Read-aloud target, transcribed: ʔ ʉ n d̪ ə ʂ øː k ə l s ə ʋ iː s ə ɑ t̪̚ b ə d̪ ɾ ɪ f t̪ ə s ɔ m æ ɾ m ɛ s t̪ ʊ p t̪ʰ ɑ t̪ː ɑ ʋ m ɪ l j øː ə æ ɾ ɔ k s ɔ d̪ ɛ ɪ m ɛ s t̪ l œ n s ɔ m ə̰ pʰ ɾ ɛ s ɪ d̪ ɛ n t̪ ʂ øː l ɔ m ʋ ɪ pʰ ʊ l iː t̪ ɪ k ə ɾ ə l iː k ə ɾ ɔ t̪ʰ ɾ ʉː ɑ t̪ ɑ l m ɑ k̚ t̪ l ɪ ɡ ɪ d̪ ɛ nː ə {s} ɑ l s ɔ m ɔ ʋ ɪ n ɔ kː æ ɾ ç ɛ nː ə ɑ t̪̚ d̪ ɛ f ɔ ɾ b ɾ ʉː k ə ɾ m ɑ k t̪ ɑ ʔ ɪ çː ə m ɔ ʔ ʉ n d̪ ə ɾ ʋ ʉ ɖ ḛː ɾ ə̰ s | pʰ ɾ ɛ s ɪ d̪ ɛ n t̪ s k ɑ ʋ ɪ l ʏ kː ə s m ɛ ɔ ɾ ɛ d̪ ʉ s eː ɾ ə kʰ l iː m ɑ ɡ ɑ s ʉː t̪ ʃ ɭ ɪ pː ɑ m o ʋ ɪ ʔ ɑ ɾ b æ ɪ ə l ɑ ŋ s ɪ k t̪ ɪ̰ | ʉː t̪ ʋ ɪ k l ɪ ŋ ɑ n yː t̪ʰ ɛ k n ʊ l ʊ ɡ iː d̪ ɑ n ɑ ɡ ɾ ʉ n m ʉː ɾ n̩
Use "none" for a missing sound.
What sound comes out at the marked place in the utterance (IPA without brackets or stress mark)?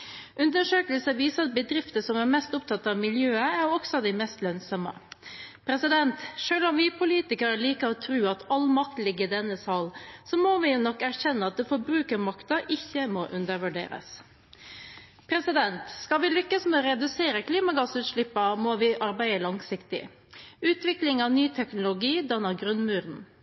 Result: s